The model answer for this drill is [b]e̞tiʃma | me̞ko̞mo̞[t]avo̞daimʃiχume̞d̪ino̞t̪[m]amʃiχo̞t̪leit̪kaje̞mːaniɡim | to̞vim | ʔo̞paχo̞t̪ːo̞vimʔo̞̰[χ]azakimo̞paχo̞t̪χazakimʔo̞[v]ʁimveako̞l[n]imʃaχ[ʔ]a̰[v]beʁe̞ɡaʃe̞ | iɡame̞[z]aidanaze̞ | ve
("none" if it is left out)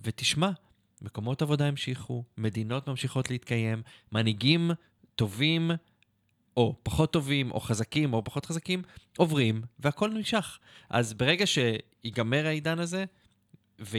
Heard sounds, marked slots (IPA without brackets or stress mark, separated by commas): v, t, m, χ, v, n, ʔ, z, ʁ